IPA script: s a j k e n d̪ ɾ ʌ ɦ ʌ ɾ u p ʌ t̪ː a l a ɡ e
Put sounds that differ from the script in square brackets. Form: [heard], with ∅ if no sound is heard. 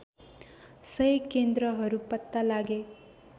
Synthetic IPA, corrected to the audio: s [ʌ] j k e n d̪ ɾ ʌ ɦ ʌ ɾ u p ʌ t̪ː a l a ɡ e